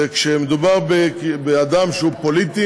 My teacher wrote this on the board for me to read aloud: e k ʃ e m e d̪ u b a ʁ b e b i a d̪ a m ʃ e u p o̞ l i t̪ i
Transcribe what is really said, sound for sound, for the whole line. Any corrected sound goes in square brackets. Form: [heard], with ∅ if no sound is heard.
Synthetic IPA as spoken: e k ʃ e m e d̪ u b a ʁ b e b [e] a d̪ a m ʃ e u p o̞ l i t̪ i